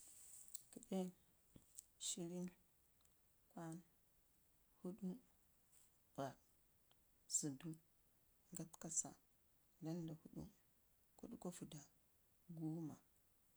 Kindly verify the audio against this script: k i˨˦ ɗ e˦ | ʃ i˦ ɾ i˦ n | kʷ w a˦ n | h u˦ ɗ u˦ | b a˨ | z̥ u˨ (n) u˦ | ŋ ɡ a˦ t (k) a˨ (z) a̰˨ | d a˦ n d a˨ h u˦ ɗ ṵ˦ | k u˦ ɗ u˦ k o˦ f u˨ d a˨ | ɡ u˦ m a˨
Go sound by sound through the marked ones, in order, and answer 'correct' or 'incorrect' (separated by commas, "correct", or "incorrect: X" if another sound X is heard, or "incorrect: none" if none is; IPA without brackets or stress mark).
incorrect: d, correct, incorrect: s